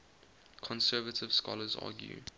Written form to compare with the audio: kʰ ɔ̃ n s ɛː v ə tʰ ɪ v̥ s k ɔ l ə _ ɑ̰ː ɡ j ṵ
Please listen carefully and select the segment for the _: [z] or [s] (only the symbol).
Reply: z